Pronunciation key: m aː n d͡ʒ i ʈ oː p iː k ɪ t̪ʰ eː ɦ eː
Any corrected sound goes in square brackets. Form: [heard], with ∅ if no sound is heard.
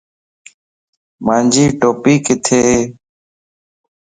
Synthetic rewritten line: m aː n d͡ʒ [iː] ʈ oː p iː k ɪ t̪ʰ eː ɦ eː